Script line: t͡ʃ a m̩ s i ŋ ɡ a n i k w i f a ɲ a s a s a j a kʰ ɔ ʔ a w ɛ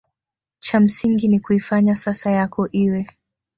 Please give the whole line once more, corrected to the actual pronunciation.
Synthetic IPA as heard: t͡ʃ a m̩ s i ŋ ɡ i n i k u i f a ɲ a s a s a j a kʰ ɔ ʔ i w ɛ